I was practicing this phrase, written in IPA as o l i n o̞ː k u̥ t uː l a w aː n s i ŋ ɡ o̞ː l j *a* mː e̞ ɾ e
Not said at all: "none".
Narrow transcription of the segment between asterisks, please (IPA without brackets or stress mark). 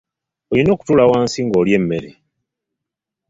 e